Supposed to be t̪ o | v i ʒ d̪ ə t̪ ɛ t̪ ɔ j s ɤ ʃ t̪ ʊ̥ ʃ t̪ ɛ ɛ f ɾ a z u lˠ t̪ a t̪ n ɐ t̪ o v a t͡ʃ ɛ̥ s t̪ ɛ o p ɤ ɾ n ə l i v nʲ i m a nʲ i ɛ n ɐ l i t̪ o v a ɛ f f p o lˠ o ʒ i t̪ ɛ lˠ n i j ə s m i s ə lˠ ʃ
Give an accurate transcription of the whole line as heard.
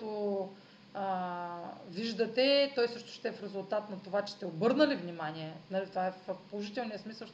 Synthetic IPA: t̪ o | v i ʒ d̪ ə t̪ ɛ t̪ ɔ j s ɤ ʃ t̪ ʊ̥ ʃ t̪ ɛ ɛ f ɾ ɛ z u lˠ t̪ a t̪ n ɐ t̪ o v a t͡ʃ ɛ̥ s t̪ ɛ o b ɤ ɾ n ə l i v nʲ i m a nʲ i ɛ n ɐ l i t̪ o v a ɛ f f p o lˠ o ʒ i t̪ ɛ lˠ n i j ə s m i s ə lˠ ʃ